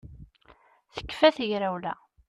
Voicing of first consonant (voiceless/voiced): voiceless